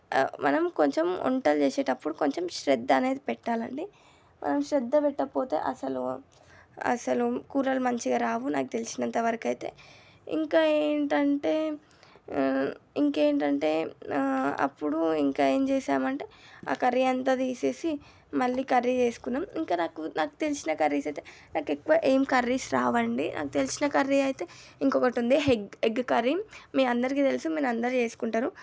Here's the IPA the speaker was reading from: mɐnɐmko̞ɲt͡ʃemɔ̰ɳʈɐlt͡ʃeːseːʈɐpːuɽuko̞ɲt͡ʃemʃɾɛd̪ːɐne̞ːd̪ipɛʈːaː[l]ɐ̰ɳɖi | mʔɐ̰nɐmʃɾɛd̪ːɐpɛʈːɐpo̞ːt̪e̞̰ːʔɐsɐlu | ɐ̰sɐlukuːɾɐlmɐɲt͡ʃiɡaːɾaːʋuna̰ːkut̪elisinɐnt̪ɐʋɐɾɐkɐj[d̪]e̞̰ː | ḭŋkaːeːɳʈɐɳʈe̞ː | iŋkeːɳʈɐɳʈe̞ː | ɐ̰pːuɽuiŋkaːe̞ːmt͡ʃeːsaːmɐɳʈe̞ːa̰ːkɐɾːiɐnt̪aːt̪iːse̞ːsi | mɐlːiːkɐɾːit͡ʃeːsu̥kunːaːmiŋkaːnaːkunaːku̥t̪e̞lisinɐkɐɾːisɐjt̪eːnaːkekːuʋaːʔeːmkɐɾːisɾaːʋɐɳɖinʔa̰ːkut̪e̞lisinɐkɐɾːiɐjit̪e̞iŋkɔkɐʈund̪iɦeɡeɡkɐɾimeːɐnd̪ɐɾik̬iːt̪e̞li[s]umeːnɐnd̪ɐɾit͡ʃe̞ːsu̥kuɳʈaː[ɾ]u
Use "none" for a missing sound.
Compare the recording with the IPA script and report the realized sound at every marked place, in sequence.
l, t̪, s, ɾ

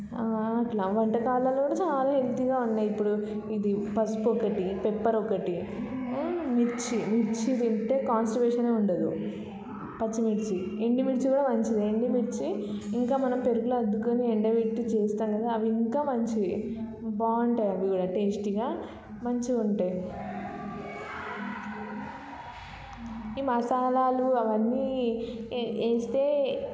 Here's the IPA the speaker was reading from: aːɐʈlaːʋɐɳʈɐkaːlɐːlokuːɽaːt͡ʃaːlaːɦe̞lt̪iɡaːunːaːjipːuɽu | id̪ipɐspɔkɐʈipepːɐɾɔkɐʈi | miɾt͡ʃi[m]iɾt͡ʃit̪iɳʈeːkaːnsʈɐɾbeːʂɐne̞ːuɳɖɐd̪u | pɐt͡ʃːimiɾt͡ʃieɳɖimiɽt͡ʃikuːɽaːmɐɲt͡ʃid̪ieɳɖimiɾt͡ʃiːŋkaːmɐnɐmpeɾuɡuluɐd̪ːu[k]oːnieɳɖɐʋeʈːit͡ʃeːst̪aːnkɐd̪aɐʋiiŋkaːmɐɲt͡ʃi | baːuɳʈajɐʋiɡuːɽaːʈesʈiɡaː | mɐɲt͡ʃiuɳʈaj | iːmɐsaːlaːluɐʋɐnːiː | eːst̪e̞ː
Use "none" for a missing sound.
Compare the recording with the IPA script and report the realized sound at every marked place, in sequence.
m, k

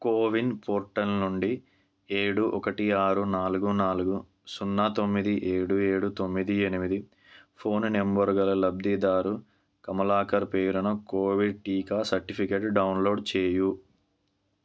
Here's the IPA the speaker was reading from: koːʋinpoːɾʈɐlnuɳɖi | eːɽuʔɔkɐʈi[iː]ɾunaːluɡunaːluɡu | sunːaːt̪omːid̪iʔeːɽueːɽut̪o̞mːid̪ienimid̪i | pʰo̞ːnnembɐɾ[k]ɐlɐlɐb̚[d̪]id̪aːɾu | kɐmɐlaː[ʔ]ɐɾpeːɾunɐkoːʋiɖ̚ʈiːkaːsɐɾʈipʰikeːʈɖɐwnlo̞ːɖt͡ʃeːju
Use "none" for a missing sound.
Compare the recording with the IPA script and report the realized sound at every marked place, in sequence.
aː, ɡ, d̪, k

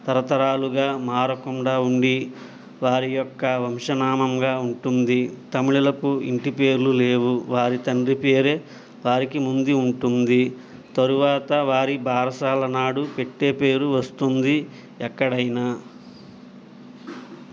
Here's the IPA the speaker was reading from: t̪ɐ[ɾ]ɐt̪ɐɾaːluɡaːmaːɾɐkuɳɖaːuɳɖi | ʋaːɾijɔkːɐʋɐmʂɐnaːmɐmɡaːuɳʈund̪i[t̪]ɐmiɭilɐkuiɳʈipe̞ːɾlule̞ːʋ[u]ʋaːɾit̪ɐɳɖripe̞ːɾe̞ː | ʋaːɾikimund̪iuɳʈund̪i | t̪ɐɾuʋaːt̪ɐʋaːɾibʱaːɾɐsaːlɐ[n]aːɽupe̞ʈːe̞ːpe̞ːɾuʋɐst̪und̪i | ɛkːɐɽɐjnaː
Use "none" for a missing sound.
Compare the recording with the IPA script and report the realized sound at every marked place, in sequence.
ɾ, t̪, u, n

